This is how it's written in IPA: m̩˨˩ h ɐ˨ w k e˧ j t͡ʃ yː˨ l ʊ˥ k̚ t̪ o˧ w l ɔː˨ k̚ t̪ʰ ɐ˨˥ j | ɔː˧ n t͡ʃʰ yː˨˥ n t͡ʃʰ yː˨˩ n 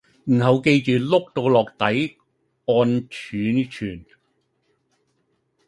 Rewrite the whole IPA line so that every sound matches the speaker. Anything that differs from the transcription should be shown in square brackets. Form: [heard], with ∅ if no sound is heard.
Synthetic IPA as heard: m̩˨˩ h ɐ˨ w k e˧ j t͡ʃ yː˨ l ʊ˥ k̚ t̪ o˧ w l ɔː˨ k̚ [t̪] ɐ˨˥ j | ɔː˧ n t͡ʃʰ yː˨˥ n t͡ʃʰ yː˨˩ n